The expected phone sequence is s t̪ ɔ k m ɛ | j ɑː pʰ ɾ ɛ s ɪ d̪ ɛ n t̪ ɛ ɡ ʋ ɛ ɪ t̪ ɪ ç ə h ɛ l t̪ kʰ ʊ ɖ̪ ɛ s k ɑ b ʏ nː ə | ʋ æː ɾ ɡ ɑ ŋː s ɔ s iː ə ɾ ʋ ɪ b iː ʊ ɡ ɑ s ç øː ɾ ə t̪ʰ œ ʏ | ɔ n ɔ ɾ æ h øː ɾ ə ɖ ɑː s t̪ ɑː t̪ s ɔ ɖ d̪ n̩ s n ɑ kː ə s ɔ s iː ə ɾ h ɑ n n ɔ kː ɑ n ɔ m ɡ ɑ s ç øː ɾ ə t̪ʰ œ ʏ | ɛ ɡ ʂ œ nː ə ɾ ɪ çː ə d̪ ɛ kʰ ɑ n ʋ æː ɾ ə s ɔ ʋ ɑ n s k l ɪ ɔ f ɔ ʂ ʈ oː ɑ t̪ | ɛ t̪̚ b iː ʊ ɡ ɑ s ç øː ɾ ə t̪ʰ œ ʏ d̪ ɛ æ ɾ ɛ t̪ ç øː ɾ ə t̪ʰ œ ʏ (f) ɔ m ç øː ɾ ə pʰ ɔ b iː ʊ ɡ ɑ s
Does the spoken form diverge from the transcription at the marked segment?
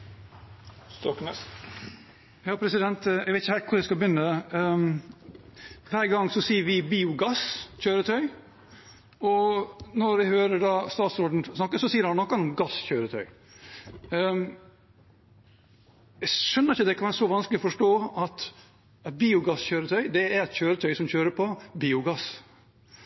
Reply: yes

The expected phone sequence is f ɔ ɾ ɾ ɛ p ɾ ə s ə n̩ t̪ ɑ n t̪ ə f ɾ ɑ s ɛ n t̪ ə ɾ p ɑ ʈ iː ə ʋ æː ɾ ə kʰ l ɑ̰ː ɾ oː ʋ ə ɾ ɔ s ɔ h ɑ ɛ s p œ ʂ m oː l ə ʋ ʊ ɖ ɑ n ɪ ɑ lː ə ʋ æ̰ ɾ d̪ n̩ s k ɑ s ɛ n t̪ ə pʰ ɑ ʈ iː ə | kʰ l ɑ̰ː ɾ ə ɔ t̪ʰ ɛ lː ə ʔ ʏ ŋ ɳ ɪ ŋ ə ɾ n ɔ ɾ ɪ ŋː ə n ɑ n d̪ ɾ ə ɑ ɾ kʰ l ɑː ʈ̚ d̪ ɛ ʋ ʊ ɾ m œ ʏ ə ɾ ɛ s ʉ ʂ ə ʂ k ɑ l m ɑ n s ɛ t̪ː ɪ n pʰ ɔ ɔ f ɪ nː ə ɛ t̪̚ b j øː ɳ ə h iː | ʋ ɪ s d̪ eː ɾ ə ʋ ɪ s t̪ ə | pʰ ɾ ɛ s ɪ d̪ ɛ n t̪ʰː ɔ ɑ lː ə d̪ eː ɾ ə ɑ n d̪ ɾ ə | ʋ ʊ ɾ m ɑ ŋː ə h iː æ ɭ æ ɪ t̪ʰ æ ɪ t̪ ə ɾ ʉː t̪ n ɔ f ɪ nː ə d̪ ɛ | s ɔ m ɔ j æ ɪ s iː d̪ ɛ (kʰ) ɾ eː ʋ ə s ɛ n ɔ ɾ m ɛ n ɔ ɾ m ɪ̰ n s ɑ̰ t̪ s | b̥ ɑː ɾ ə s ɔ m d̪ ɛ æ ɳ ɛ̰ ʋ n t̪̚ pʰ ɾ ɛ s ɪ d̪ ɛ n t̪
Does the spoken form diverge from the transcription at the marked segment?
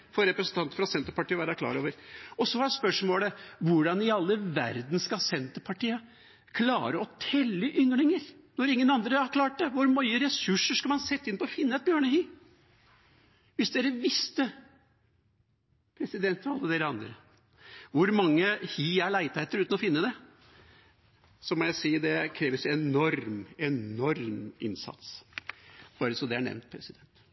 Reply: no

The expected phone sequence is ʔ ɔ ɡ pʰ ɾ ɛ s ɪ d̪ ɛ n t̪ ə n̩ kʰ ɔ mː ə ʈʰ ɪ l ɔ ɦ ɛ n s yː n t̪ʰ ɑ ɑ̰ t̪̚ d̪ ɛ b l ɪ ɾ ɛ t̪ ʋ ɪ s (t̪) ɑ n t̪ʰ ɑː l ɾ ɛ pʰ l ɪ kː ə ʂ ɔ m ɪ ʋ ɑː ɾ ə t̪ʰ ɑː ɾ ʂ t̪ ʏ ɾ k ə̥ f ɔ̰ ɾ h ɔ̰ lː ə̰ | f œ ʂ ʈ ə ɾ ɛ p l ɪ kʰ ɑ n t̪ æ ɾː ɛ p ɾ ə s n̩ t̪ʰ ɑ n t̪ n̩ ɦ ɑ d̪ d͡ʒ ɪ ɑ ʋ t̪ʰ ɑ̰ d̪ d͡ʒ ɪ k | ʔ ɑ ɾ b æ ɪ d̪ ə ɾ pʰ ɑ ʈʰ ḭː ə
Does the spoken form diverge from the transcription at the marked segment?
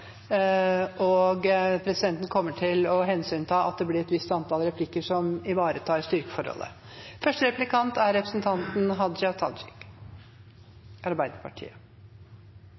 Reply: no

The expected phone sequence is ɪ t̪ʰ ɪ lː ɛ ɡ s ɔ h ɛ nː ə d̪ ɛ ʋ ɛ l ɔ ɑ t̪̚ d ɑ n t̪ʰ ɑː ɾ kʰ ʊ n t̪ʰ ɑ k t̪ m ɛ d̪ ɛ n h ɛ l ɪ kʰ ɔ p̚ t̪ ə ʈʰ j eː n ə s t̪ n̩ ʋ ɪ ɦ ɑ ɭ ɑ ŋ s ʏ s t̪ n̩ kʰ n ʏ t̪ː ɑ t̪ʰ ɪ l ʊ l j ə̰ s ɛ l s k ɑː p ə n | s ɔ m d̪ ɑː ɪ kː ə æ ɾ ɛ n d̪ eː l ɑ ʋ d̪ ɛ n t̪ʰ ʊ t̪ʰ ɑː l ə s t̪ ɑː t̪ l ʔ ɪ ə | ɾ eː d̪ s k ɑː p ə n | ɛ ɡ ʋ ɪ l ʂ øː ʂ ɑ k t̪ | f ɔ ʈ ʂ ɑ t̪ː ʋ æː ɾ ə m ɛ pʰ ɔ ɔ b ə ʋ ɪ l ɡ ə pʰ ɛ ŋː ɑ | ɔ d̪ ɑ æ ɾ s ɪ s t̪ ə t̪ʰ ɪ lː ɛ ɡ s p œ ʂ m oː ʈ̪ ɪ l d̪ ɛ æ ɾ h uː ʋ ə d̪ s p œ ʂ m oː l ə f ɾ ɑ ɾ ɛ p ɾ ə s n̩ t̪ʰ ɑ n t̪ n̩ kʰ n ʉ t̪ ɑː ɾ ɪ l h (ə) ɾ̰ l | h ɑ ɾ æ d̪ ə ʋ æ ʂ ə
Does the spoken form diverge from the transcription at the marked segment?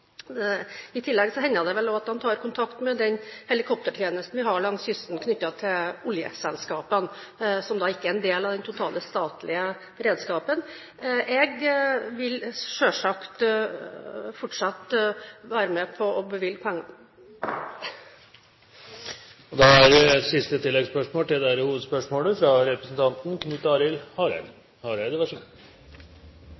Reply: yes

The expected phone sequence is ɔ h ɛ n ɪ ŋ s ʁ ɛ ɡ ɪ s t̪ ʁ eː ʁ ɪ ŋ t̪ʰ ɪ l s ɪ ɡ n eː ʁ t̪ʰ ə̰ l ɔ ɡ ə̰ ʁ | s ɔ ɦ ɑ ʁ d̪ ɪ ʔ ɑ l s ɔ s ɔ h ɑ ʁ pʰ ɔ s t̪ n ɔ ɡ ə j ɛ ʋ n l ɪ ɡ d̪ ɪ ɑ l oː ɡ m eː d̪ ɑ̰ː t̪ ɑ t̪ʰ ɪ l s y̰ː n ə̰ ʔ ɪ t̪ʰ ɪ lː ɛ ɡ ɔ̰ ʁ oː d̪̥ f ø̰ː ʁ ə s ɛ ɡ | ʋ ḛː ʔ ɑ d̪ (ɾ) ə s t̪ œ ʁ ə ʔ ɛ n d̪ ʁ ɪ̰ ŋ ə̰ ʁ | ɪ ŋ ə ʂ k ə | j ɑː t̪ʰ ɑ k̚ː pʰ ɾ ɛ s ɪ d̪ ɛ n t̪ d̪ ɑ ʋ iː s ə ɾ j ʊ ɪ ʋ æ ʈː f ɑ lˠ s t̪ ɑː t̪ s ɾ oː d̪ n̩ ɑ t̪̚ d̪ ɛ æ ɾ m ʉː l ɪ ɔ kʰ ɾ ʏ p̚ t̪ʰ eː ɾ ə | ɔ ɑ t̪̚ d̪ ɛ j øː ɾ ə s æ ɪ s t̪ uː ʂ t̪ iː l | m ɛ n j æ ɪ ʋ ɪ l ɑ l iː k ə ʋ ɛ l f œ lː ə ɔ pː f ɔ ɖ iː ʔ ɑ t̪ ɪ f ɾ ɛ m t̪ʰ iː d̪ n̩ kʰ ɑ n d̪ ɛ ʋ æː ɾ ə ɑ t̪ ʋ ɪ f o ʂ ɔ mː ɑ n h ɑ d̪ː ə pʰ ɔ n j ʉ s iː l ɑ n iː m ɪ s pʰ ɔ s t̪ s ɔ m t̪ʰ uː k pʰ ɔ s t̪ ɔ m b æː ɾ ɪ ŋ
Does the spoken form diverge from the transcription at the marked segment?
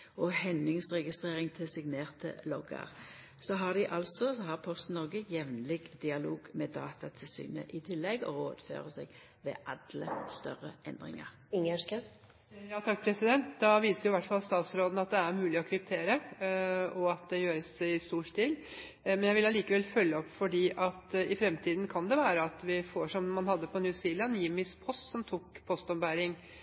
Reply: yes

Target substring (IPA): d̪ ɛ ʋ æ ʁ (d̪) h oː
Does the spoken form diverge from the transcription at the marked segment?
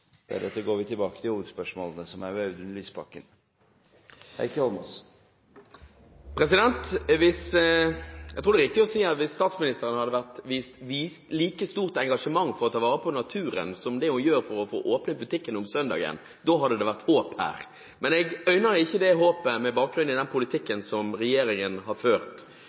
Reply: yes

